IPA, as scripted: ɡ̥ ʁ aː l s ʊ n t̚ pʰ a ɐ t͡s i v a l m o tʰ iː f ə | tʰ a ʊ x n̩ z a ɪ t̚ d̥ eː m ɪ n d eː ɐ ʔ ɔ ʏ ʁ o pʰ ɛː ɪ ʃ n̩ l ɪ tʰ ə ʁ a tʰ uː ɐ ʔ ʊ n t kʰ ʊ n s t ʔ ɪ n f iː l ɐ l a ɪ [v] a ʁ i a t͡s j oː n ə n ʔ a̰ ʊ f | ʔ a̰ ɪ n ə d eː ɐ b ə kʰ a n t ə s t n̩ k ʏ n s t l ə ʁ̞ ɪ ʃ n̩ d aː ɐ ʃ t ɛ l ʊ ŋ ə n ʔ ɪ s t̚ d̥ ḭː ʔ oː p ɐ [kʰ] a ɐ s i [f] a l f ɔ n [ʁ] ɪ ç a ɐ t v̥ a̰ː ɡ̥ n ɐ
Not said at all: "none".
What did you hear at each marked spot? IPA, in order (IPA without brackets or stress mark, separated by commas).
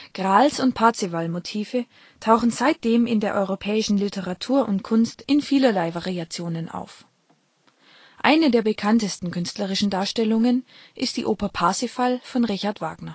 v, pʰ, f, ʁ